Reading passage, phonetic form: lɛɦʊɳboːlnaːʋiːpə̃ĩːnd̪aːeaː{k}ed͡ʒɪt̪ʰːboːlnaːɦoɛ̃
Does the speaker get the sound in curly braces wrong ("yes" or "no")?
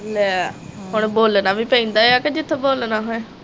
no